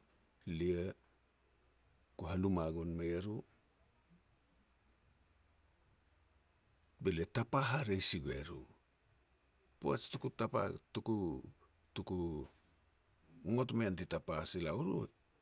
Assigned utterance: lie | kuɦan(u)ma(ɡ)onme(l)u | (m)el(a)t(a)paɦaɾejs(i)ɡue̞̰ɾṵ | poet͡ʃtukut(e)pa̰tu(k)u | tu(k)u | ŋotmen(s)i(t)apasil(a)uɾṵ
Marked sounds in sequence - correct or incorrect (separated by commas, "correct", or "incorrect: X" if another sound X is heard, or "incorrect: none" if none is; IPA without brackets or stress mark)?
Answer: correct, correct, incorrect: ɾ, incorrect: b, incorrect: e, correct, correct, incorrect: a, correct, correct, incorrect: t, correct, correct